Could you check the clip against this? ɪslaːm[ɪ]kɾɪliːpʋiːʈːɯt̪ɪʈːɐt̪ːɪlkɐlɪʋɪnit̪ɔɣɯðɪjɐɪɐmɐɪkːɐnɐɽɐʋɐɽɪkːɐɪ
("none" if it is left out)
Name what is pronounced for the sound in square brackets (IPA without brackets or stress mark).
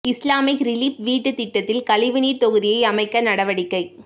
ɪ